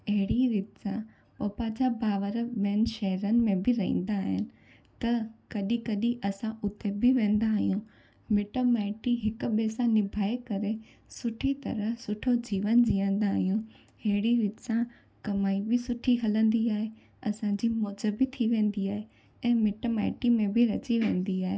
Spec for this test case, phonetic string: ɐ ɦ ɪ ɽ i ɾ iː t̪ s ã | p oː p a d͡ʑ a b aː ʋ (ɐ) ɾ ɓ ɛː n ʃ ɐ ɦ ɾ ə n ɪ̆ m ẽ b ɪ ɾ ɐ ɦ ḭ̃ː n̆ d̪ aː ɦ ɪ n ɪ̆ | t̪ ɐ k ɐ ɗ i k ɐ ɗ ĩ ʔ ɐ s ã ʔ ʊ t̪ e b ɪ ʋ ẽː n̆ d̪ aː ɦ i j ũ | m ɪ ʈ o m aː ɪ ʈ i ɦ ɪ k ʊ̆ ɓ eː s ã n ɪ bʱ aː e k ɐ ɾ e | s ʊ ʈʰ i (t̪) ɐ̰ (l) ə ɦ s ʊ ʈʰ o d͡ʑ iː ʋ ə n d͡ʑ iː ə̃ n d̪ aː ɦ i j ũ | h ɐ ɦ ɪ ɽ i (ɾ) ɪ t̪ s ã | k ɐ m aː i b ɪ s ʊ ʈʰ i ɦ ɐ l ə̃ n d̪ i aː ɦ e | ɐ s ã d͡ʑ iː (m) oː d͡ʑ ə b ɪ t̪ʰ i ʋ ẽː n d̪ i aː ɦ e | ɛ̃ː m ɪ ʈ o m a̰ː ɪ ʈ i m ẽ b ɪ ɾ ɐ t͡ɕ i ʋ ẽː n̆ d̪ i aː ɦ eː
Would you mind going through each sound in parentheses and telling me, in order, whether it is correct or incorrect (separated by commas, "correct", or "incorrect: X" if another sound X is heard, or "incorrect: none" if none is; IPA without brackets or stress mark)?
incorrect: ə, correct, incorrect: ɾ, correct, correct